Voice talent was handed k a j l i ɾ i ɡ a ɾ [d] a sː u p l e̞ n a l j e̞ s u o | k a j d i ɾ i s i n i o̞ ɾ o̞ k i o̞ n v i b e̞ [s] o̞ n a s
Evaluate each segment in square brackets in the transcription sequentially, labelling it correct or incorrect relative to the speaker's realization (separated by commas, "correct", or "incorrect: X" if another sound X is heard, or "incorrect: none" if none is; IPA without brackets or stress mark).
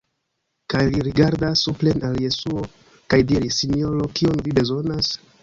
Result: correct, incorrect: z